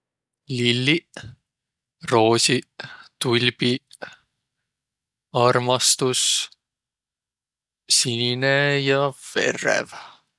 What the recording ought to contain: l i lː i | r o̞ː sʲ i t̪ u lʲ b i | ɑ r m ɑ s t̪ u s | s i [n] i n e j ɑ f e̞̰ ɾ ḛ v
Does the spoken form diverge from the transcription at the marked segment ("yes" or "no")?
no